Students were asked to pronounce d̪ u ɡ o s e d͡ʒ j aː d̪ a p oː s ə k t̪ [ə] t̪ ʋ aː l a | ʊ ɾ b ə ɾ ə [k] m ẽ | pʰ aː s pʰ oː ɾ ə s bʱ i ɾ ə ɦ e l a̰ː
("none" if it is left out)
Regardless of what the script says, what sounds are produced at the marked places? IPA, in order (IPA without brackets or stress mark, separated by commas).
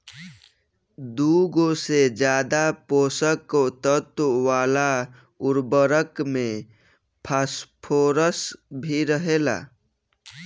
ə, k